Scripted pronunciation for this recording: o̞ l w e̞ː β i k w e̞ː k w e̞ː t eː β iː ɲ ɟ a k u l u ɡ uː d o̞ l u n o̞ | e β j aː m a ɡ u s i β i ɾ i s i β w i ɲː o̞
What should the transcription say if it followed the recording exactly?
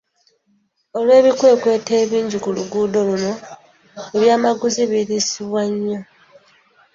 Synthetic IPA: o̞ l w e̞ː β i k w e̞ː k w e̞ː t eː β iː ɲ ɟ i k u l u ɡ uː d o̞ l u n o̞ | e β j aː m a ɡ u z i β i ɾ i s i β w a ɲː o̞